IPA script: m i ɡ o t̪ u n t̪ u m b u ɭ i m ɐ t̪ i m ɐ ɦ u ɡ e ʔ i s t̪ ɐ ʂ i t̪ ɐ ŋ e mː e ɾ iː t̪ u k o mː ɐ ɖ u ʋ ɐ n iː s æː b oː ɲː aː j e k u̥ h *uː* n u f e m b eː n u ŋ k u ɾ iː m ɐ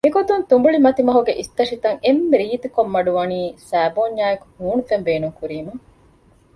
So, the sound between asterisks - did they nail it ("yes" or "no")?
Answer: yes